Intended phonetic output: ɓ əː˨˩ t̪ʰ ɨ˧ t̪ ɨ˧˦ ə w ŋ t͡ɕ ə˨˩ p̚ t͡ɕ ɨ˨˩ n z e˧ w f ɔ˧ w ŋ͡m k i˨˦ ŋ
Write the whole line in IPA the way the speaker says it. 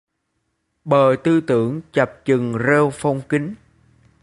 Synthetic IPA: ɓ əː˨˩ t̪ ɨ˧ t̪ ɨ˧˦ ə ŋ t͡ɕ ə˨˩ p̚ t͡ɕ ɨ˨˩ ŋ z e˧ w f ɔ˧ w ŋ͡m k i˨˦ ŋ